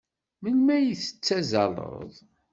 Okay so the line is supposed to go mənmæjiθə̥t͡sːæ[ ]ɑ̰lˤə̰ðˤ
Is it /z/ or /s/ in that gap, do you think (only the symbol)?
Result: z